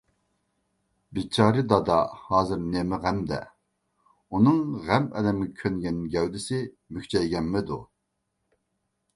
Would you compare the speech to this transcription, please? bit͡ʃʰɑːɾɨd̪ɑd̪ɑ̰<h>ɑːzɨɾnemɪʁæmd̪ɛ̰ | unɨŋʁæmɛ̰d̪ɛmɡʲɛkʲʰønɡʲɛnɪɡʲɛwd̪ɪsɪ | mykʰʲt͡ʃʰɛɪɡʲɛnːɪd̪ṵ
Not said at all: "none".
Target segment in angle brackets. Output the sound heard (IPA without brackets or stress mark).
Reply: h